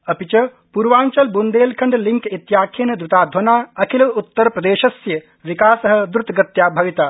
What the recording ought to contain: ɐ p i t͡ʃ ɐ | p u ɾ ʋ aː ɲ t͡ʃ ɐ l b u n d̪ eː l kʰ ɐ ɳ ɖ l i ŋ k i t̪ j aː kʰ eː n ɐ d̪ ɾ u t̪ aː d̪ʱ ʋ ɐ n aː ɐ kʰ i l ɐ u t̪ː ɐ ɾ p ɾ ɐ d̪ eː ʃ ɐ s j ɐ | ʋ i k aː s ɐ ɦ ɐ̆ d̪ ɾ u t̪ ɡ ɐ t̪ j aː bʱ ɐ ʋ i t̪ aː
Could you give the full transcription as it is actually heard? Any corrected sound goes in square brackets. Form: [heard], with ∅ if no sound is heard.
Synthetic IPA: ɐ p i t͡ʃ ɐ | p u ɾ ʋ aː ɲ t͡ʃ ɐ l b u n d̪ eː l kʰ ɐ ɳ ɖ l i ŋ k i t̪ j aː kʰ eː n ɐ d̪ ɾ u t̪ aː d̪ʱ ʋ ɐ n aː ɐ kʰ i l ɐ u t̪ː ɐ ɾ p ɾ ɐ d̪ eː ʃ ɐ s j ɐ | ʋ i k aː s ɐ ɦ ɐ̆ d̪ ɾ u t̪ ɡ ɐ t̪ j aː bʱ ɐ ʋ i t̪ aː